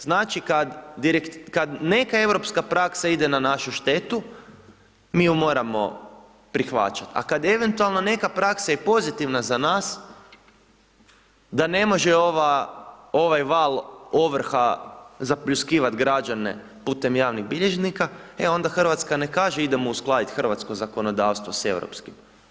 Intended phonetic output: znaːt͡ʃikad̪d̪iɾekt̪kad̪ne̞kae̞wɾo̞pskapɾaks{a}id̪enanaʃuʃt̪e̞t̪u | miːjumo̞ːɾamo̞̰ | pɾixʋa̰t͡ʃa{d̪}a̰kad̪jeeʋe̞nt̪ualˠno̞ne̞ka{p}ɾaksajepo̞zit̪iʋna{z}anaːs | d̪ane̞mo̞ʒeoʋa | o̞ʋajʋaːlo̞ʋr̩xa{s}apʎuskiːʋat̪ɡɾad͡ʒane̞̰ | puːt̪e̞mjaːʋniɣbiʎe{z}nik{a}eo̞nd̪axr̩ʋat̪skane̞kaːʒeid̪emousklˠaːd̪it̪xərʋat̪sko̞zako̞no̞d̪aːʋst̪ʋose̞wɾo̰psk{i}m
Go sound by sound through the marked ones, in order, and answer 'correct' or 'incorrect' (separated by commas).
correct, incorrect, correct, correct, incorrect, incorrect, correct, correct